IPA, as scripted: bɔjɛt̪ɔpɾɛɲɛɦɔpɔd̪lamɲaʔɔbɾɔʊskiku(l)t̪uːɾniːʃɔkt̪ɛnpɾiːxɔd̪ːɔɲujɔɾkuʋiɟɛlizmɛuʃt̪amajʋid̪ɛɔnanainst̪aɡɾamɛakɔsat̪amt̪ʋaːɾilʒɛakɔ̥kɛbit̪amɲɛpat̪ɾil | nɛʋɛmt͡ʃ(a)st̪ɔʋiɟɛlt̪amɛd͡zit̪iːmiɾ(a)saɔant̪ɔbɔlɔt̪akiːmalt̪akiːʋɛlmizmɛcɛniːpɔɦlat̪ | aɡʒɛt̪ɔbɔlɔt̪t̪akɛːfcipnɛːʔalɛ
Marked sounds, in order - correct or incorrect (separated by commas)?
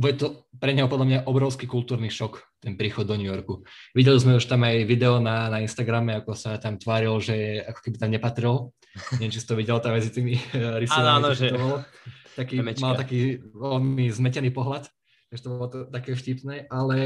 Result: correct, incorrect, incorrect